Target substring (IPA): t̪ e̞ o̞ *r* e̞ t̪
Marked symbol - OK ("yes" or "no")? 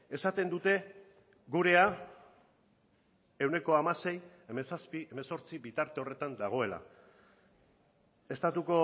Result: yes